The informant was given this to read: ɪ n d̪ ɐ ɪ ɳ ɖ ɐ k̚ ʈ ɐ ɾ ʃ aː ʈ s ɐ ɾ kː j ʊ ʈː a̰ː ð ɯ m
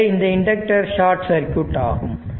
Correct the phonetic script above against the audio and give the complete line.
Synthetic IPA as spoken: ɪ n d̪ ɐ ɪ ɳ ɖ ɐ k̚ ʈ ɐ ɾ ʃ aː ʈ s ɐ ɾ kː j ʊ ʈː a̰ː ɣ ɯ m